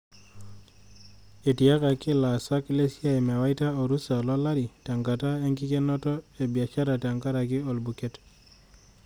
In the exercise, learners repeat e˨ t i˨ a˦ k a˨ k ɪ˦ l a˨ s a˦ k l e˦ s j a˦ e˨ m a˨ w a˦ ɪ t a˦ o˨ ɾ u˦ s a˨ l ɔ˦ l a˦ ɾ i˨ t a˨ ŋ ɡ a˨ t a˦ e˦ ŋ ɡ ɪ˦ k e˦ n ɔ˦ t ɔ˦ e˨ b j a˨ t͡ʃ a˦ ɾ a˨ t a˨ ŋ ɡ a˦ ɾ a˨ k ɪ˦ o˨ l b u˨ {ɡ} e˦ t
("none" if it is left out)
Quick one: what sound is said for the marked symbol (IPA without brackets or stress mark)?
k